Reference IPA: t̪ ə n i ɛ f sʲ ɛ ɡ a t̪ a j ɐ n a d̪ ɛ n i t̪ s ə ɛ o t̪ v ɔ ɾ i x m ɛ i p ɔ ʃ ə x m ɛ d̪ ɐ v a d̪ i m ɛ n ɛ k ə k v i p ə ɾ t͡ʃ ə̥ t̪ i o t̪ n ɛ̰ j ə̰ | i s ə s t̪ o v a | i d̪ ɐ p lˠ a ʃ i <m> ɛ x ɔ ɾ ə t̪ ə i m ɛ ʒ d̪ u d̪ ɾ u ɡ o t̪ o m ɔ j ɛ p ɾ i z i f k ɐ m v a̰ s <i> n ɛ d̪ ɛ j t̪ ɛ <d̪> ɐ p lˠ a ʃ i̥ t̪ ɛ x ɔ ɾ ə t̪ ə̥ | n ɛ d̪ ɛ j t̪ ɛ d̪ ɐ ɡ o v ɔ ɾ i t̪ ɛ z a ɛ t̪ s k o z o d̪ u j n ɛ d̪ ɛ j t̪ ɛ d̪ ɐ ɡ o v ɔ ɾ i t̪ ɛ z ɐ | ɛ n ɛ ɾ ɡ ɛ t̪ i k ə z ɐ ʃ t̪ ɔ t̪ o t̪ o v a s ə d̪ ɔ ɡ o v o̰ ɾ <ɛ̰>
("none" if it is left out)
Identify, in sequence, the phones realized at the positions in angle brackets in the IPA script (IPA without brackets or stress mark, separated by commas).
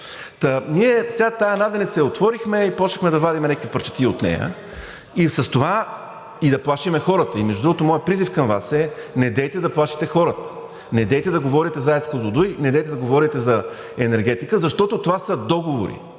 m, ɛ, d̪, ḭ